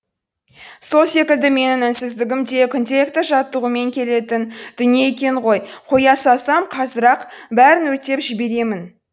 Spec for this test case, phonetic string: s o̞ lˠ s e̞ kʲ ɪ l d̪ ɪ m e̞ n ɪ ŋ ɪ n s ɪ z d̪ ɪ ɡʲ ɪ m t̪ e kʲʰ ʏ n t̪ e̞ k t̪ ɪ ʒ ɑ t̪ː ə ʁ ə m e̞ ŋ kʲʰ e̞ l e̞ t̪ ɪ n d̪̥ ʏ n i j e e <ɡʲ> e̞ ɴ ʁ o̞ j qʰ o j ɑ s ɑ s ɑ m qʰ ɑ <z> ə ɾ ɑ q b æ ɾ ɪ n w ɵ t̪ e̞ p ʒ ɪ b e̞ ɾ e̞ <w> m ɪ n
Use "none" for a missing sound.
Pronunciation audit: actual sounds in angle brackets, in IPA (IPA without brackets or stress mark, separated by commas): kʲ, z, none